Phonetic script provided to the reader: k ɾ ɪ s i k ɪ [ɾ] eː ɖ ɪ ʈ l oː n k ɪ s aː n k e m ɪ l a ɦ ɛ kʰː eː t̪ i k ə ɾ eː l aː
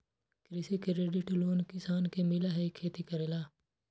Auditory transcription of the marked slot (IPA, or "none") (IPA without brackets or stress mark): ɾ